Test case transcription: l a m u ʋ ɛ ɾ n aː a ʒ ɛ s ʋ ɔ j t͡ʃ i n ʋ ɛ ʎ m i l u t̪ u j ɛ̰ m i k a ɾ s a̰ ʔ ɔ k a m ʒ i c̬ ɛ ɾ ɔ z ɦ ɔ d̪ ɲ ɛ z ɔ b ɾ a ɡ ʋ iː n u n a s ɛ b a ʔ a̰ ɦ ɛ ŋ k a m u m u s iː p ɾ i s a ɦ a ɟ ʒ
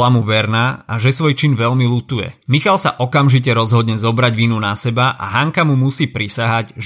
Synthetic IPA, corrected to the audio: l a m u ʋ ɛ ɾ n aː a ʒ ɛ s ʋ ɔ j t͡ʃ i n ʋ ɛ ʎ m i l u t̪ u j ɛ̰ m i x a l s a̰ ʔ ɔ k a m ʒ i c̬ ɛ ɾ ɔ z ɦ ɔ d̪ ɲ ɛ z ɔ b ɾ a ɟ ʋ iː n u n a s ɛ b a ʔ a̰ ɦ a ŋ k a m u m u s iː p ɾ i s a ɦ a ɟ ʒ